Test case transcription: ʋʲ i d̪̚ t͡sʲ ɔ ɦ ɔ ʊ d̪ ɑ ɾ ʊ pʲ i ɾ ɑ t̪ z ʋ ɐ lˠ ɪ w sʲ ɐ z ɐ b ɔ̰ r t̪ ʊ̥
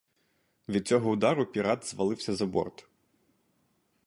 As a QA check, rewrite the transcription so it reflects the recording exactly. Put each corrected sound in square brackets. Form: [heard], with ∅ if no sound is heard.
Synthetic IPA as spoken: ʋʲ i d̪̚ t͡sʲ ɔ ɦ ɔ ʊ d̪ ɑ ɾ ʊ pʲ i ɾ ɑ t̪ z ʋ ɐ lˠ ɪ w sʲ ɐ z ɐ b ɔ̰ r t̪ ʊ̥